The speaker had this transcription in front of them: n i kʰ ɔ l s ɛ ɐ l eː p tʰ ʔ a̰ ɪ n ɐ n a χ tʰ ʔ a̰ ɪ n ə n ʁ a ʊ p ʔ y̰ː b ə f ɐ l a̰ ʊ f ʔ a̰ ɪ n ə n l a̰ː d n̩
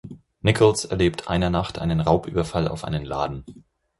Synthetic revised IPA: n ɪ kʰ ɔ l s ɛ ɐ l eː p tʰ ʔ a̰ ɪ n ɐ n a χ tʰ ʔ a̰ ɪ n ə n ʁ a ʊ p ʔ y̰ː b ɐ f a l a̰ ʊ f ʔ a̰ ɪ n ə n l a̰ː d n̩